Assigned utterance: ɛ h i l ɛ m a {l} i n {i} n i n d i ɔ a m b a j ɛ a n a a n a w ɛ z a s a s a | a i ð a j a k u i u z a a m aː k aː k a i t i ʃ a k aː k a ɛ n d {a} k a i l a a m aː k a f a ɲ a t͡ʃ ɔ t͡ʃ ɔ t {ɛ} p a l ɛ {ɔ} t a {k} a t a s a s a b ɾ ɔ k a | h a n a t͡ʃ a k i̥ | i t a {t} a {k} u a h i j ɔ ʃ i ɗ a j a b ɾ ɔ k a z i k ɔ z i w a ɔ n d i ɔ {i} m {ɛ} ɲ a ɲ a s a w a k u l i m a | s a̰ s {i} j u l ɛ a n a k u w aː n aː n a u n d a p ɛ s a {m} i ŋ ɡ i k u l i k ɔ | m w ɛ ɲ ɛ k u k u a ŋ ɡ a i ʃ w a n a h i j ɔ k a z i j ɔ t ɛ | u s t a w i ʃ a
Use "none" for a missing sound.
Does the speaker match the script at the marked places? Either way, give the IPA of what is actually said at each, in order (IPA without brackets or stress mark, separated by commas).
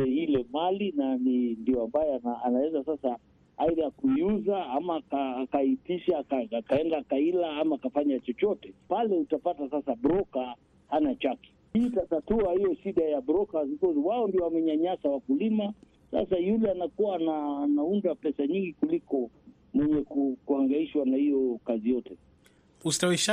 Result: l, a, a, ɛ, u, p, t, t, a, ɛ, a, ɲ